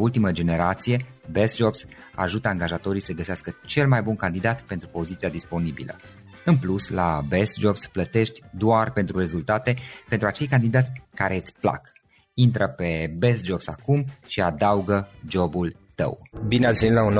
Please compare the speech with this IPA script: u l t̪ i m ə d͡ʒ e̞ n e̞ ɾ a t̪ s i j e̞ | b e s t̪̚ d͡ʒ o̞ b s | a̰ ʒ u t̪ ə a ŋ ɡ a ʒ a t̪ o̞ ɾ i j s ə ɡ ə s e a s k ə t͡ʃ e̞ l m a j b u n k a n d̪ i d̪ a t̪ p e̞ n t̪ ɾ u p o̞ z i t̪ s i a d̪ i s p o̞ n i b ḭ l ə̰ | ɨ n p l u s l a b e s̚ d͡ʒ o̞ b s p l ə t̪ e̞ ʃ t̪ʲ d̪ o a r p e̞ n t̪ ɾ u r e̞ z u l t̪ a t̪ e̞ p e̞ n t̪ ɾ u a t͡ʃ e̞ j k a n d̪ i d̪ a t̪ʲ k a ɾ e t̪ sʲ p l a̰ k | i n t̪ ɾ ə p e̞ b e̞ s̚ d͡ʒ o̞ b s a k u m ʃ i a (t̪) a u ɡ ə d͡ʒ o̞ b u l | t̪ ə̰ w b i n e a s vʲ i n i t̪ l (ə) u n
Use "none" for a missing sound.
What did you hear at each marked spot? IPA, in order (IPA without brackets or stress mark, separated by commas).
d̪, a